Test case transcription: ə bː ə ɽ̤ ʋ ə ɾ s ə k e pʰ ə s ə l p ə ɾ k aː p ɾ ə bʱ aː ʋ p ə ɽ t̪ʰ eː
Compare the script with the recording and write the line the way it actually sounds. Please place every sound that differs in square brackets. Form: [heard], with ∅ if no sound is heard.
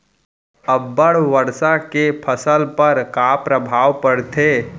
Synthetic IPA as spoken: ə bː ə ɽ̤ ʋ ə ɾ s [a] k e pʰ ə s ə l p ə ɾ k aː p ɾ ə bʱ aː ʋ p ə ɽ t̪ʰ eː